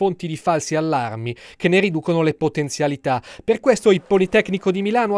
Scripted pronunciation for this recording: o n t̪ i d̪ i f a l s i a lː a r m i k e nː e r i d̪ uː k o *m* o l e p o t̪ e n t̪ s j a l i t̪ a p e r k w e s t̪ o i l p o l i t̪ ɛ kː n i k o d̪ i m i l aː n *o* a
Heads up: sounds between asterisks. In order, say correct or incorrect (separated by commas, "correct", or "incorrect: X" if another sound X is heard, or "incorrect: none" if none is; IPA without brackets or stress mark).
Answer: incorrect: n, correct